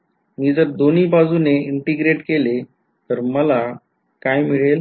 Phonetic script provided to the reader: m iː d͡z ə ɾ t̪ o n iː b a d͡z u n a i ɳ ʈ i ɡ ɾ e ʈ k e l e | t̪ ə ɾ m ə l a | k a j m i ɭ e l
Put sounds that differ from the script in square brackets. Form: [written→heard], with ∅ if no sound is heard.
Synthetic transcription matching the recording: m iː d͡z ə ɾ [t̪→d̪] o n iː b a d͡z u n [a→e] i ɳ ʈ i ɡ ɾ e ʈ k e l e | t̪ ə ɾ m ə l a | k a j m i ɭ e l